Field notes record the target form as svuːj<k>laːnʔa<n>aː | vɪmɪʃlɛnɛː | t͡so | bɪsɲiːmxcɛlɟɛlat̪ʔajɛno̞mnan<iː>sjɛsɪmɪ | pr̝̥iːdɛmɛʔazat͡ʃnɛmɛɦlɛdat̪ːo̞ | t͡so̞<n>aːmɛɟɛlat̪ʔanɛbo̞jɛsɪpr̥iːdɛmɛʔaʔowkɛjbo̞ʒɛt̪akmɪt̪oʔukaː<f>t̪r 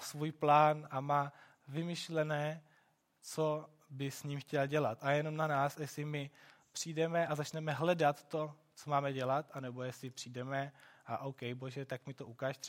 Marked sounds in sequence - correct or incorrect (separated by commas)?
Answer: incorrect, incorrect, incorrect, incorrect, incorrect